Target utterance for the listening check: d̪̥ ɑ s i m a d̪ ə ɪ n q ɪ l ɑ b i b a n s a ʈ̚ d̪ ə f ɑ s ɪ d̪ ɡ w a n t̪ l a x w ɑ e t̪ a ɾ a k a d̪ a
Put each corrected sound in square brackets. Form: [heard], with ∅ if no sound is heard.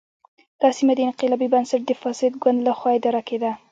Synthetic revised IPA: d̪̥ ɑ s i m a d̪ ə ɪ n q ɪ l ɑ b i b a n s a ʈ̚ d̪ ə f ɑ s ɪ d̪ ɡ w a n [d̪] l a x w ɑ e [d̪] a ɾ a k [e] d̪ a